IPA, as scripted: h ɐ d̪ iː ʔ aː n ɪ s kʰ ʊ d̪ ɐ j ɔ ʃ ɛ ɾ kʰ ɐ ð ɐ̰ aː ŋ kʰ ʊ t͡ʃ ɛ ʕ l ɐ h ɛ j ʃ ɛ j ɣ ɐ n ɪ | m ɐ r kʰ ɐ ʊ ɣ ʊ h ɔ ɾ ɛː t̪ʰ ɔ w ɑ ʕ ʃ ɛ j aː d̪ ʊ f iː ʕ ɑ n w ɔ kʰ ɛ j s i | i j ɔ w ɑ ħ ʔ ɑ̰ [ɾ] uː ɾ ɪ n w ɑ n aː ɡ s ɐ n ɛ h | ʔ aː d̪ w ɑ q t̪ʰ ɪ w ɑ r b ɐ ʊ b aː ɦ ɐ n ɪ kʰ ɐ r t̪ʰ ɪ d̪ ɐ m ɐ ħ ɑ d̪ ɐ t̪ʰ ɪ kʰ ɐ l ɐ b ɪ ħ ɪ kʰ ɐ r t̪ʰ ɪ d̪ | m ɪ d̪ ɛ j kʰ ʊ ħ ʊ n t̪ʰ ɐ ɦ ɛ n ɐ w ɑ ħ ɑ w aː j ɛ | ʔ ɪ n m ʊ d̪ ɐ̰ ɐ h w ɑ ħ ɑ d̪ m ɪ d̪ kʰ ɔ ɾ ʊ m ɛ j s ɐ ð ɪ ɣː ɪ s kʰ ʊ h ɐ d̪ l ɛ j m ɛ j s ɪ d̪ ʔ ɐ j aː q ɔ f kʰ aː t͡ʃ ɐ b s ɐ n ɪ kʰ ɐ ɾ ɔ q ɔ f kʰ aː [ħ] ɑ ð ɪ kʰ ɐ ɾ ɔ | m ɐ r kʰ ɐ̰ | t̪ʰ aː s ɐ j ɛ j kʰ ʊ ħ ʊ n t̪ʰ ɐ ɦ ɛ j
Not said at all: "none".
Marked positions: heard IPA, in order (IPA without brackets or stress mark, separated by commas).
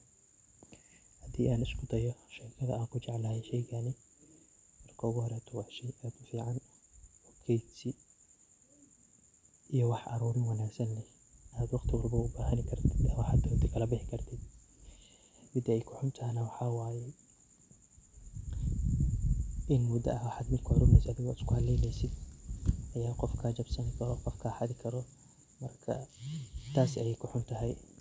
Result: ɾ, ħ